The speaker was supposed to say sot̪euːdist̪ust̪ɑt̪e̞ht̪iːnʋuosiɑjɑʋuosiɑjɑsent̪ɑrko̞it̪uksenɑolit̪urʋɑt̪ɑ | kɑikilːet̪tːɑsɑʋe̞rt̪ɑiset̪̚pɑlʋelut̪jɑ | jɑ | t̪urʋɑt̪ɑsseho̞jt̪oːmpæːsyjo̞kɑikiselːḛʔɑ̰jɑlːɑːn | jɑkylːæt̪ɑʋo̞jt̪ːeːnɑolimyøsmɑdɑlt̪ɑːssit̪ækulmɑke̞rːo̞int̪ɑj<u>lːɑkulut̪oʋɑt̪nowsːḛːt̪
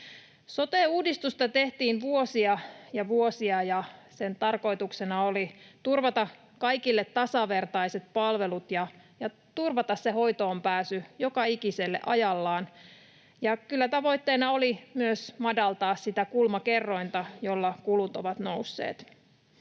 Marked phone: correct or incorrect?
incorrect